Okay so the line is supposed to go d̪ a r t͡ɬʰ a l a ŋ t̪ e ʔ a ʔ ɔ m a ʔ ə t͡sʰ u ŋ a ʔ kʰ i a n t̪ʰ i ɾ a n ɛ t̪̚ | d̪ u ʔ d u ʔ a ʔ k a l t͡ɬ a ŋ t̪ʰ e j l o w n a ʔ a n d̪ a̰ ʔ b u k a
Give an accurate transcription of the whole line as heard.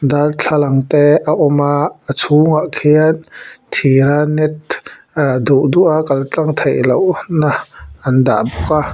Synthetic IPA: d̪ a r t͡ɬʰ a l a ŋ t̪ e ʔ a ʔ ɔ m a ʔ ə t͡sʰ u ŋ a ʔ kʰ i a n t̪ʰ i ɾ a n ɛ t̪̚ | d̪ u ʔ d u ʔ a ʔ k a l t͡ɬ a ŋ t̪ʰ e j l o w n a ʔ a n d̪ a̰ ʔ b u k a